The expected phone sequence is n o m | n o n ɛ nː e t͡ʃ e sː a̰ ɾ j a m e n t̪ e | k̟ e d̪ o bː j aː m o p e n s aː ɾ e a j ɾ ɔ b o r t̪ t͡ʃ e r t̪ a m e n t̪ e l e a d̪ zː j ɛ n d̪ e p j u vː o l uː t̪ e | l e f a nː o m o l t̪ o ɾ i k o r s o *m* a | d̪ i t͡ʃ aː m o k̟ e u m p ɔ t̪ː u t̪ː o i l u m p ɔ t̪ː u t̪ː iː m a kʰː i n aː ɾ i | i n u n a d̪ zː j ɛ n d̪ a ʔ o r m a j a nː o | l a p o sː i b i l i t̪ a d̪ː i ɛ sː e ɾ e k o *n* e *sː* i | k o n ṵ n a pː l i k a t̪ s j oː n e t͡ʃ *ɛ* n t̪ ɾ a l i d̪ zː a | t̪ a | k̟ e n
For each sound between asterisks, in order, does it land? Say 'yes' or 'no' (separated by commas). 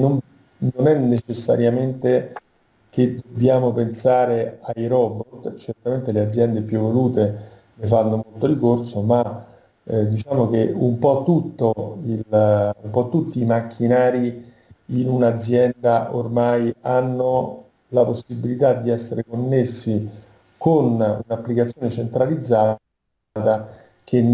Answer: yes, no, yes, no